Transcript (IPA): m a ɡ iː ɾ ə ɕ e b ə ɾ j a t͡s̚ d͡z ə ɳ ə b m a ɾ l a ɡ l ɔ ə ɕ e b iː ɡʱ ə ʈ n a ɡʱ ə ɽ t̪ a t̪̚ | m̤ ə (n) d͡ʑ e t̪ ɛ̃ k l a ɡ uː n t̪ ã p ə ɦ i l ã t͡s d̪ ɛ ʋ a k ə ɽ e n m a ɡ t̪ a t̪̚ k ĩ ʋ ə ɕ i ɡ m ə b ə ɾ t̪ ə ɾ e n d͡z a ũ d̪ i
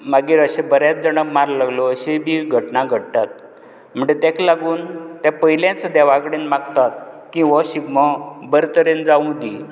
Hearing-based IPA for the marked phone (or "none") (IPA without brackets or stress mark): ɳ